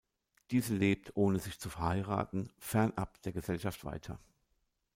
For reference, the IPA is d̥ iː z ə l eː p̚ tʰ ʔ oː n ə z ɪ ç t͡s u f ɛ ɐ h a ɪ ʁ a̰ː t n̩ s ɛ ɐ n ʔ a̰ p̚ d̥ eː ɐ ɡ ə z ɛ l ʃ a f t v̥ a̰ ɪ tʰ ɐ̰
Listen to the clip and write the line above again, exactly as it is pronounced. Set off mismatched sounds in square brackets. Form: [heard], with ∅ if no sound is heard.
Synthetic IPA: d̥ iː z ə l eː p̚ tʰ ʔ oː n ə z ɪ ç t͡s u f ɛ ɐ h a ɪ ʁ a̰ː t n̩ [f] ɛ ɐ n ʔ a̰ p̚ d̥ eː ɐ ɡ ə z ɛ l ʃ a f t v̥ a̰ ɪ tʰ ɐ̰